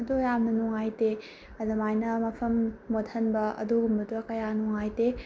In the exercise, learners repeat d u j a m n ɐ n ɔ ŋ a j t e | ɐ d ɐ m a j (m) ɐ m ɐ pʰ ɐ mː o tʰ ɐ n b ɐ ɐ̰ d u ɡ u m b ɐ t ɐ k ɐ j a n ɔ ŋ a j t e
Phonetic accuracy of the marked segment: incorrect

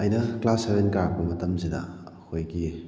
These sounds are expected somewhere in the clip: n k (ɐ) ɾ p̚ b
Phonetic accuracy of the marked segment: incorrect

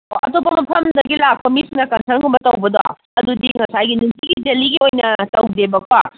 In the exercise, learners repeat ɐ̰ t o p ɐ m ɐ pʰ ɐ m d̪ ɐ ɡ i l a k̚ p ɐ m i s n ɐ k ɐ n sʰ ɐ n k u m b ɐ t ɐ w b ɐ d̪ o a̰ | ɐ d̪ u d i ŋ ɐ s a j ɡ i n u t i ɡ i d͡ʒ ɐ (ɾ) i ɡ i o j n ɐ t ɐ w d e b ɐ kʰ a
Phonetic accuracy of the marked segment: incorrect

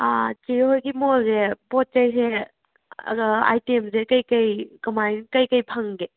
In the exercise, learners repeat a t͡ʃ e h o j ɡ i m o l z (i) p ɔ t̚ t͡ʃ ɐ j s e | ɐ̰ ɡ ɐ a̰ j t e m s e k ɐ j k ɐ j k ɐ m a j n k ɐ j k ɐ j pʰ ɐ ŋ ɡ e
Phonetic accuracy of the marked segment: incorrect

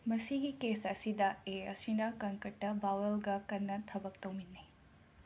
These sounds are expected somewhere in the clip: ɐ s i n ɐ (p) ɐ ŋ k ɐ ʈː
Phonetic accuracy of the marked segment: incorrect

